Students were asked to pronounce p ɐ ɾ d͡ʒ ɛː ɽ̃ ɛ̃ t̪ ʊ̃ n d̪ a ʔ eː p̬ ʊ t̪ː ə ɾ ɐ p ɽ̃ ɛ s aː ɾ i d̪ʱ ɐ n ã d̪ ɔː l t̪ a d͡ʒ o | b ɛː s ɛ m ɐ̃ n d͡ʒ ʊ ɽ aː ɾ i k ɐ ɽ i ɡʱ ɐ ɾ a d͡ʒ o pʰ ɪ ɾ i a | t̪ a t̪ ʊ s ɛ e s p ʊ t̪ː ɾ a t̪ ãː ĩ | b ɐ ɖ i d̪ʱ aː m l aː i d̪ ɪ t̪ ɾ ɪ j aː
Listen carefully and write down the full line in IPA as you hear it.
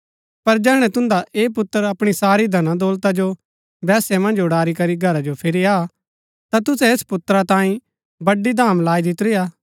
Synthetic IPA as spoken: p ɐ ɾ d͡ʒ ɛː ɽ̃ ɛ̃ t̪ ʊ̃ n d̪ a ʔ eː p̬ ʊ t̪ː ə ɾ ɐ p ɽ̃ i s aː ɾ i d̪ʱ ɐ n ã d̪ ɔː l t̪ a d͡ʒ o | b ɛː s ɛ m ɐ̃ n d͡ʒ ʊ ɽ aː ɾ i k ɐ ɾ i ɡʱ ɐ ɾ a d͡ʒ o pʰ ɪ ɾ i a | t̪ a t̪ ʊ s ɛ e s p ʊ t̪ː ɾ a t̪ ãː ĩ | b ɐ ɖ i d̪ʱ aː m l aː i d̪ ɪ t̪ ɾ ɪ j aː

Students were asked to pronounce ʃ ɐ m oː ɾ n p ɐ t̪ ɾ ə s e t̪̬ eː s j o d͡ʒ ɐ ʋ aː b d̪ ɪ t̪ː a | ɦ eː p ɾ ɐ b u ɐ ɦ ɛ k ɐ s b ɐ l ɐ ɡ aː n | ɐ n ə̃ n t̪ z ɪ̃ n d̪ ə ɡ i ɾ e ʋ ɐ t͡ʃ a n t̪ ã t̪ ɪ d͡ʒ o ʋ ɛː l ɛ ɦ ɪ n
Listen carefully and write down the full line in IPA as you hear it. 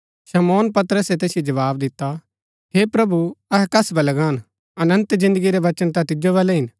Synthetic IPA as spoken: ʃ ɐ m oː n p ɐ t̪ ɾ ə s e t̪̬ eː s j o d͡ʒ ɐ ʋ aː b d̪ ɪ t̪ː a | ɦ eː p ɾ ɐ b u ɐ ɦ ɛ k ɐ s b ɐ l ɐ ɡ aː n | ɐ n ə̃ n t̪ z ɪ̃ n d̪ ə ɡ i ɾ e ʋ ɐ t͡ʃ ə n t̪ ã t̪ ɪ d͡ʒ o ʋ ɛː l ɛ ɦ ɪ n

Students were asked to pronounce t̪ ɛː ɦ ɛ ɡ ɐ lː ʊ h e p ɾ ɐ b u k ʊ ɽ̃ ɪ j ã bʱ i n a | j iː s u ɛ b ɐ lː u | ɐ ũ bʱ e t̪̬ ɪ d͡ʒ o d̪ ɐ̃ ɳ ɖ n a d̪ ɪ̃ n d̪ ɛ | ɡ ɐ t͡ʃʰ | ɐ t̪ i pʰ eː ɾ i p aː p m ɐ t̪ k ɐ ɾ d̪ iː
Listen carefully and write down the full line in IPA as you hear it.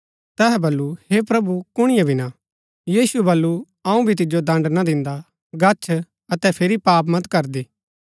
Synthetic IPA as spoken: t̪ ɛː ɦ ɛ b ɐ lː u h e p ɾ ɐ b u k ʊ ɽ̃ ɪ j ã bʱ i n a | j iː s u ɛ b ɐ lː u | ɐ ũ bʱ i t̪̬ ɪ d͡ʒ o d̪ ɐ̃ ɳ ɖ n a d̪ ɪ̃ n d̪ a | ɡ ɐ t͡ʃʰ | ɐ t̪ ɛ pʰ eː ɾ i p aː p m ɐ t̪ k ɐ ɾ d̪ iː

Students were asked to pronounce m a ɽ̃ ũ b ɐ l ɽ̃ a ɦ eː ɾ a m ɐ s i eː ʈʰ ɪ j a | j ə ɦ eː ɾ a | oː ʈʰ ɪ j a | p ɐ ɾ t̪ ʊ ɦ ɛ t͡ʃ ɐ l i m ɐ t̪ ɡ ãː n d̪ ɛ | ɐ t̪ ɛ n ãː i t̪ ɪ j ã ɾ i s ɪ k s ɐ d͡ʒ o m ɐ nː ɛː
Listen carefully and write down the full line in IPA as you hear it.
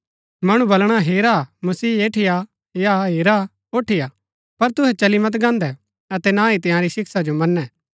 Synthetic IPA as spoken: m ɐ ɽ̃ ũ b ɐ l ɽ̃ a ɦ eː ɾ a m ɐ s iː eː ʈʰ ɪ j a | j a ɦ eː ɾ a | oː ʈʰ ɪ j a | p ɐ ɾ t̪ ʊ ɦ ɛ t͡ʃ ɐ l i m ɐ t̪ ɡ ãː n d̪ ɛ | ɐ t̪ ɛ n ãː i t̪ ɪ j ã ɾ i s ɪ k s a d͡ʒ o m ɐ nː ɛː

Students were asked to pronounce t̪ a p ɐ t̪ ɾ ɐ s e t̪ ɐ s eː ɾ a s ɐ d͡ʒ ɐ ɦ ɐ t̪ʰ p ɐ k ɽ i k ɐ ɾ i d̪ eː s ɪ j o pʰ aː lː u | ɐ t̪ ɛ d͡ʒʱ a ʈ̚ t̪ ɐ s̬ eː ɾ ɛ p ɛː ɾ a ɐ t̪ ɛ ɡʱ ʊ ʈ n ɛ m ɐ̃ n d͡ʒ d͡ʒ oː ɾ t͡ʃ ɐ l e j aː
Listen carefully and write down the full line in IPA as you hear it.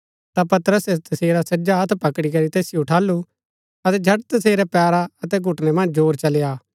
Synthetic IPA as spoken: t̪ a p ɐ t̪ ɾ ə s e t̪ ɐ s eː ɾ a s ɐ d͡ʒ a ɦ ɐ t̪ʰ p ɐ k ɽ i k ɐ ɾ i t̪ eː s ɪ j o ʈʰ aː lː u | ɐ t̪ ɛ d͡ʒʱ ɐ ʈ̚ t̪ ɐ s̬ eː ɾ ɛ p ɛː ɾ a ɐ t̪ ɛ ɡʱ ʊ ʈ n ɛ m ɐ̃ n d͡ʒ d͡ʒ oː ɾ t͡ʃ ɐ l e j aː

